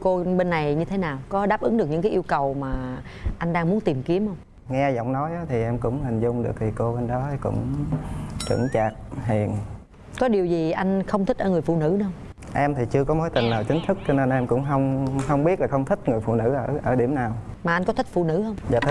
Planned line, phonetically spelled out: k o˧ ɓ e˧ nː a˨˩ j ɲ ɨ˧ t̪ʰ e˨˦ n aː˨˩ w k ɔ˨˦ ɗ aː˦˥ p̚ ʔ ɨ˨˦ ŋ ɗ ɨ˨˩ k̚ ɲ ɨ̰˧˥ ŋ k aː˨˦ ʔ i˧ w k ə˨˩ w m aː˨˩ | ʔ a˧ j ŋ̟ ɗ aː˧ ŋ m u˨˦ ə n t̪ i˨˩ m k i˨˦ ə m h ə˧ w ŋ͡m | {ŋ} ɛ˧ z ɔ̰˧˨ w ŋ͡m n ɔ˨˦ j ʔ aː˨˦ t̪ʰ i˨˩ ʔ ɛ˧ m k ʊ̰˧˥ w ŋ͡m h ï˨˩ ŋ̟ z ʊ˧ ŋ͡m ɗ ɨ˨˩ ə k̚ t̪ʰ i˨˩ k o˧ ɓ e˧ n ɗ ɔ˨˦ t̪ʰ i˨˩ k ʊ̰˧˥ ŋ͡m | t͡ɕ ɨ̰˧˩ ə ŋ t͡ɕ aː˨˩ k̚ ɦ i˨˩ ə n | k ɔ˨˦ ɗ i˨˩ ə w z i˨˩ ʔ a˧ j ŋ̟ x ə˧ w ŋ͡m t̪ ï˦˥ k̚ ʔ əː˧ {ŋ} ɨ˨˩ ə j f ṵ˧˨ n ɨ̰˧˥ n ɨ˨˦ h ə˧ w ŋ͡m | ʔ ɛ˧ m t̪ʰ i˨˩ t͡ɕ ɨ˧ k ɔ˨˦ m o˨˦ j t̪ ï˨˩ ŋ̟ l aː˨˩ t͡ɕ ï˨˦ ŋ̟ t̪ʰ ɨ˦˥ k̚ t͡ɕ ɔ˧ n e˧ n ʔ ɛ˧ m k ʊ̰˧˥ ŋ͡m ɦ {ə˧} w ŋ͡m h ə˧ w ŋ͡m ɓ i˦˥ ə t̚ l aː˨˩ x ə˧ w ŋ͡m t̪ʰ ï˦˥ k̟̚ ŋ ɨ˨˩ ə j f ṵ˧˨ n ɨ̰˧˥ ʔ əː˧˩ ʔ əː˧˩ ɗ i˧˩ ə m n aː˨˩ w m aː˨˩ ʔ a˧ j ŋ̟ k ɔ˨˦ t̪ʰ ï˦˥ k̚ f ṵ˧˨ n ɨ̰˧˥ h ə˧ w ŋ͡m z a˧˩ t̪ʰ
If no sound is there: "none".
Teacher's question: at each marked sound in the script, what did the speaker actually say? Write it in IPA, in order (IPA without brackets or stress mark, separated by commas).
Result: ŋ, ŋ, ə˧